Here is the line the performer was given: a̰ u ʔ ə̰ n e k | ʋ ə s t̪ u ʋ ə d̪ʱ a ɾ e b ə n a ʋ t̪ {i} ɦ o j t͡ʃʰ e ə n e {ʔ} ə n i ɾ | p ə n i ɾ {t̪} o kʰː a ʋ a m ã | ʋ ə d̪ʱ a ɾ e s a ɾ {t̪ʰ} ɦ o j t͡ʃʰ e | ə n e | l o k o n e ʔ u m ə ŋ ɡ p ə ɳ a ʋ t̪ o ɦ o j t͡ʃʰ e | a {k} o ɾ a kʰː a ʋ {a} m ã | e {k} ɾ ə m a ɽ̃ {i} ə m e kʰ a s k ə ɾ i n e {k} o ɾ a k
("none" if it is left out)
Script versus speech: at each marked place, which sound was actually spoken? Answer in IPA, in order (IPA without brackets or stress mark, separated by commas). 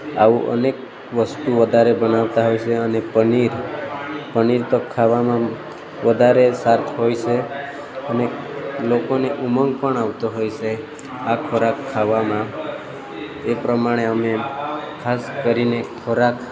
a, p, t̪, t̪ʰ, kʰ, a, p, e, kʰ